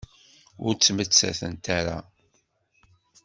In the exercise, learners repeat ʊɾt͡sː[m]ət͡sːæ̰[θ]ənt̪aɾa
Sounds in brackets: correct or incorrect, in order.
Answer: correct, correct

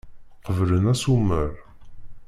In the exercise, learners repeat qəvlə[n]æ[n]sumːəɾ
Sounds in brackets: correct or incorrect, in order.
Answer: correct, incorrect

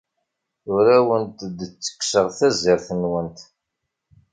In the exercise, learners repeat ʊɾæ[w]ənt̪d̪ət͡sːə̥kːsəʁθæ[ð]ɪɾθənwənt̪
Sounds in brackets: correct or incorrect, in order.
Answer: correct, incorrect

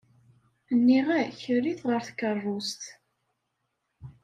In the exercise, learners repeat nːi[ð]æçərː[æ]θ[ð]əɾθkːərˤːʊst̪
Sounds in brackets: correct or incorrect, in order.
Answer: incorrect, incorrect, incorrect

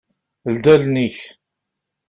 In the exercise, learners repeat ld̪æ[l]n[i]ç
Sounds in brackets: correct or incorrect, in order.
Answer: correct, correct

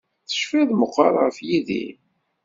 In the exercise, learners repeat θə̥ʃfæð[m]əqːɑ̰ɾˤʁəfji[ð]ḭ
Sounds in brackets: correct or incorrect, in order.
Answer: correct, correct

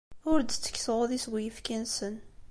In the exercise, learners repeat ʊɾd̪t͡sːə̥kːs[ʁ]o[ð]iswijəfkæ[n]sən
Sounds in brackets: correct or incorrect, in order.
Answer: correct, correct, correct

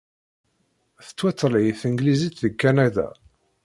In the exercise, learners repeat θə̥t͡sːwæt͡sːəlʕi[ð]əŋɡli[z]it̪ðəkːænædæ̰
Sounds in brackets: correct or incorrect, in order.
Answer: incorrect, correct

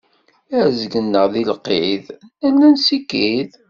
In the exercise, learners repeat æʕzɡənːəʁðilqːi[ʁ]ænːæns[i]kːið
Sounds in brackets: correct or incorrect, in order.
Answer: incorrect, correct

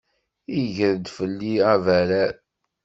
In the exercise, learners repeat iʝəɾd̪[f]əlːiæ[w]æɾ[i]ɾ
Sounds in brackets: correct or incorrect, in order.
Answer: correct, incorrect, incorrect

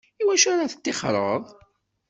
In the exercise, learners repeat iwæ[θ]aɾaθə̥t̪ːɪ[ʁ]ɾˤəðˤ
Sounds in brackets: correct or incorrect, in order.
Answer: incorrect, incorrect

